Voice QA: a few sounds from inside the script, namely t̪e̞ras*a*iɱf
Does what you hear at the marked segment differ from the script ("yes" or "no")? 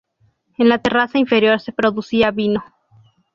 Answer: no